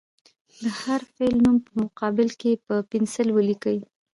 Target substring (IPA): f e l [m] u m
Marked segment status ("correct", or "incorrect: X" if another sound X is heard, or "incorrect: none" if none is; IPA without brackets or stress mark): incorrect: n